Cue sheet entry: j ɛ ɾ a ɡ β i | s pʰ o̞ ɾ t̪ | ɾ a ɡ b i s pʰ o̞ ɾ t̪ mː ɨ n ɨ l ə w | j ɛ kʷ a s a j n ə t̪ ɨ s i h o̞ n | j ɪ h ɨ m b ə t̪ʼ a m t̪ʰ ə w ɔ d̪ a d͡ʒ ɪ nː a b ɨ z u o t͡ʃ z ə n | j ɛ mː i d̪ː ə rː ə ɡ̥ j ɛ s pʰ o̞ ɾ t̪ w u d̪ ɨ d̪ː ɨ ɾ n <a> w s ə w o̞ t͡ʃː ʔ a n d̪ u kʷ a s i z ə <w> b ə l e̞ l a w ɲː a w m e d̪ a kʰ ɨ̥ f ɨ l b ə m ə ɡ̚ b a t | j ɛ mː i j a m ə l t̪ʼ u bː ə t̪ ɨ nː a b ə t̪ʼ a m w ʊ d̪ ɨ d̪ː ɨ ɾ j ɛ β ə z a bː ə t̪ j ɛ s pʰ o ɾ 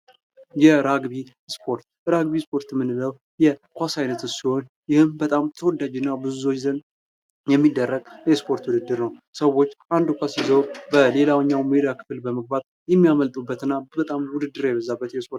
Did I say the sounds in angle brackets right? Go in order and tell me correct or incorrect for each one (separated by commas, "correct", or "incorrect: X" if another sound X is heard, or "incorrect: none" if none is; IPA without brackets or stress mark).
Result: incorrect: ə, correct